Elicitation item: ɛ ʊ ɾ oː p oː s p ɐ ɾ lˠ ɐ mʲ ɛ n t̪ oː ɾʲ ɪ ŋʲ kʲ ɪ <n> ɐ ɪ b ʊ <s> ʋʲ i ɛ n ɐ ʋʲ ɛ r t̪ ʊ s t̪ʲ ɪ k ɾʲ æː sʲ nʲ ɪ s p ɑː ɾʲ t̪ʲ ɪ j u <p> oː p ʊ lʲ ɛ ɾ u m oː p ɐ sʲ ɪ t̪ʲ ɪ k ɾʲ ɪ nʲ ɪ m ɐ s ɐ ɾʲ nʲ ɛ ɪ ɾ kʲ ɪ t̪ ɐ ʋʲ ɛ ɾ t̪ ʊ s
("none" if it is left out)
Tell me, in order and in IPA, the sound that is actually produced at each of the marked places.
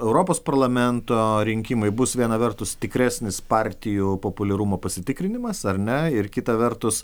m, s, p

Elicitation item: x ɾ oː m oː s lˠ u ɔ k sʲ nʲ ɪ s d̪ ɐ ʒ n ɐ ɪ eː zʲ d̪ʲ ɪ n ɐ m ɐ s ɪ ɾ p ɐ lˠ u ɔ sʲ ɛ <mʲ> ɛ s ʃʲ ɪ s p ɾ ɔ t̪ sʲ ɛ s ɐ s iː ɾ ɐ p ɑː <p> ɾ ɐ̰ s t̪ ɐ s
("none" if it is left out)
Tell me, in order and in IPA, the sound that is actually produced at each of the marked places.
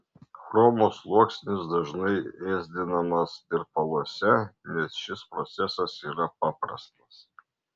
nʲ, p

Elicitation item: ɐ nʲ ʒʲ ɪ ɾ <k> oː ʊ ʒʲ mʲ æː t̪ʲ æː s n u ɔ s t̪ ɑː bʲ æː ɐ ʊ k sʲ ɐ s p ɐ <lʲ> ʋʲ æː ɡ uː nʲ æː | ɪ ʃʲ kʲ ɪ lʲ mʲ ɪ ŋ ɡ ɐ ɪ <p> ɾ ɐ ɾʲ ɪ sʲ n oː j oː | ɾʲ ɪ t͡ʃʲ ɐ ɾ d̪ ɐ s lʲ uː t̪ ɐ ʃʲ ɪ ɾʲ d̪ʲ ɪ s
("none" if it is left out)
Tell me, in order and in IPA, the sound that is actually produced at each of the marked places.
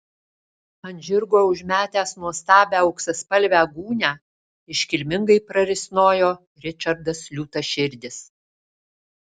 ɡ, lʲ, p

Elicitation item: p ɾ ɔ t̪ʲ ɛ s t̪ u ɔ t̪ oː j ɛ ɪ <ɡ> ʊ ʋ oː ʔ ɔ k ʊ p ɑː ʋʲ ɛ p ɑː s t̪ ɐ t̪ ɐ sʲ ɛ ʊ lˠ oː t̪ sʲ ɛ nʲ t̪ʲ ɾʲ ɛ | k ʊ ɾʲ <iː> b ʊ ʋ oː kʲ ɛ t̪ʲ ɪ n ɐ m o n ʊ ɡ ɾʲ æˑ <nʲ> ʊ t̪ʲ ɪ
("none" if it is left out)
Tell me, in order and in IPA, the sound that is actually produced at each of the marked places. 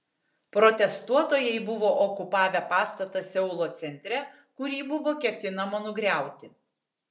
b, iː, none

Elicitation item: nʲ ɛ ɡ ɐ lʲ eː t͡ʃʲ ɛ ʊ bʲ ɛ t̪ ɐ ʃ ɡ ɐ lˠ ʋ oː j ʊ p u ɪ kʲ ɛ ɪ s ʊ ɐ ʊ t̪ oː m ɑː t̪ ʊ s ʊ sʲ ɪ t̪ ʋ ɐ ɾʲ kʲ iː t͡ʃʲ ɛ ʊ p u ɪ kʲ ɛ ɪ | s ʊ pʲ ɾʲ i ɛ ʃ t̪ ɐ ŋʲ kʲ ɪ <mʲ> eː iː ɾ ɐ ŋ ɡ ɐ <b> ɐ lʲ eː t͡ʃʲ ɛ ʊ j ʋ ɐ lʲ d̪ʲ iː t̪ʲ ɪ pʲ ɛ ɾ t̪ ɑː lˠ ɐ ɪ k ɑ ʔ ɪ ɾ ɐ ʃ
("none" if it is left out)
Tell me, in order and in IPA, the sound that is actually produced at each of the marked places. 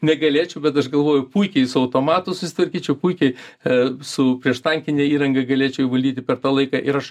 nʲ, ɡ

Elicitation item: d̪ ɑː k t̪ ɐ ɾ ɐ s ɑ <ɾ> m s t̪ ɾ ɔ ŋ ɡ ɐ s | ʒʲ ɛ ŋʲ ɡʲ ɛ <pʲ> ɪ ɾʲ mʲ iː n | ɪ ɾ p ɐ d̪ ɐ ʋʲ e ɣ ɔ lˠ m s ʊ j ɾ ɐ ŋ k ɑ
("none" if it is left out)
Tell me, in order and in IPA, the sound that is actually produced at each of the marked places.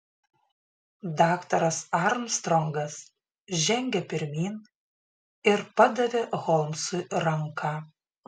ɾ, pʲ

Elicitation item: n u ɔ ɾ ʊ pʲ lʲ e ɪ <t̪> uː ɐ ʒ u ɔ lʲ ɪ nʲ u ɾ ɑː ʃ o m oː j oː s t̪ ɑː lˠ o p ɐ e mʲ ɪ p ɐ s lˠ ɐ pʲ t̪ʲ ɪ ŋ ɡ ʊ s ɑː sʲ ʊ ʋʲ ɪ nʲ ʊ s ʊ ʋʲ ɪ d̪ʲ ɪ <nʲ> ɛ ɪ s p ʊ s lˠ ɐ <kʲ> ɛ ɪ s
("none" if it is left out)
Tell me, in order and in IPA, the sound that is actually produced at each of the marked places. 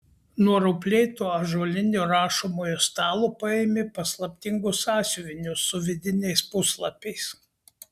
t̪, nʲ, pʲ

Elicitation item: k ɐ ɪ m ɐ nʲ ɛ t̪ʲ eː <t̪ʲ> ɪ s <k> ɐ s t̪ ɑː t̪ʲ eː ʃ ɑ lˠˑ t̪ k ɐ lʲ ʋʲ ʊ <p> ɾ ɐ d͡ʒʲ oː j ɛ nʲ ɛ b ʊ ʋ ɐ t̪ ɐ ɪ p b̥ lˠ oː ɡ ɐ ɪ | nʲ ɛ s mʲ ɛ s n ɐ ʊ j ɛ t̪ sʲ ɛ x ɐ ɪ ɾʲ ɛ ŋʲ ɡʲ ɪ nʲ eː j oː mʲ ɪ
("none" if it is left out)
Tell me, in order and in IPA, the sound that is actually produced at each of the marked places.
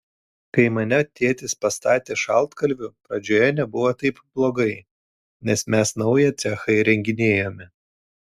t̪ʲ, p, p

